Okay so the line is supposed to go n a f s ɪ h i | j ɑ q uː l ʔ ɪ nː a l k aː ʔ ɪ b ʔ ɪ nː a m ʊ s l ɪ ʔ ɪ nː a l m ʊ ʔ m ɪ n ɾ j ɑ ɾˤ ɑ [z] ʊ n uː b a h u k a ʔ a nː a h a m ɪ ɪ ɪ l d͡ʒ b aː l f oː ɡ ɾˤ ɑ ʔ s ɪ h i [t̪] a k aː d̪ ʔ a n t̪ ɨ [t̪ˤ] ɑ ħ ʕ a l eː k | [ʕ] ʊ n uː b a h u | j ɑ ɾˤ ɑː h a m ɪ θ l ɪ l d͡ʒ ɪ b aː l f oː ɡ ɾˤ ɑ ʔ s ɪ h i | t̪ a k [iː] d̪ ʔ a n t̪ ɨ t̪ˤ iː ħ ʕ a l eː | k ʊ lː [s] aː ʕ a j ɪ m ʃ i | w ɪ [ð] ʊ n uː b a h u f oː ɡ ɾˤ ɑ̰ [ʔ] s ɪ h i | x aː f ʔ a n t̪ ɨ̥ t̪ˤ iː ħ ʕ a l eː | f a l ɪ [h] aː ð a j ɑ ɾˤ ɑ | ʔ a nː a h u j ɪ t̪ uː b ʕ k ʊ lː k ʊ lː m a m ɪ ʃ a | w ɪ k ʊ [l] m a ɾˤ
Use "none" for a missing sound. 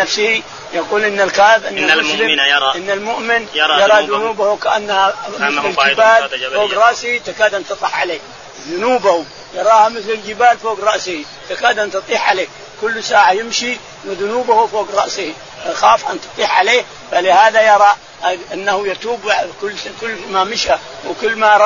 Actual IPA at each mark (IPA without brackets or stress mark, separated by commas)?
ð, t̪, t̪ˤ, ð, aː, s, ð, ʔ, h, lː